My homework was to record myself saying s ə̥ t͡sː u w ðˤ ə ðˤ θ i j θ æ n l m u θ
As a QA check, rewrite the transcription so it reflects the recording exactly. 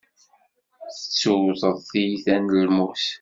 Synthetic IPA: θ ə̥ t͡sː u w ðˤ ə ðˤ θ i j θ æ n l m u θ